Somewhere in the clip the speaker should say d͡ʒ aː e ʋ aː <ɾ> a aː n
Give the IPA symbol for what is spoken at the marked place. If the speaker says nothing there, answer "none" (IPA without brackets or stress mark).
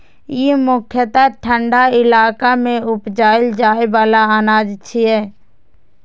l